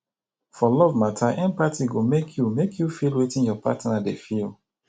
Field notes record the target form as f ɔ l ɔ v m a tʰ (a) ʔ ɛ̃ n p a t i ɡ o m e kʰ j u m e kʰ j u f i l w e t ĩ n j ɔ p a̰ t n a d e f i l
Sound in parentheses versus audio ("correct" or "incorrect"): correct